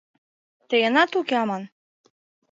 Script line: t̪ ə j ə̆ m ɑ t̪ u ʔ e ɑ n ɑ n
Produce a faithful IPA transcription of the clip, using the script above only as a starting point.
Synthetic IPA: t̪ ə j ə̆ n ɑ t̪ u k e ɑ m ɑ n